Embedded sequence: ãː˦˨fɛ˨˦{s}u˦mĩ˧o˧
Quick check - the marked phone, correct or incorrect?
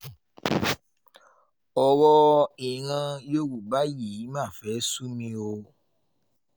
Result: correct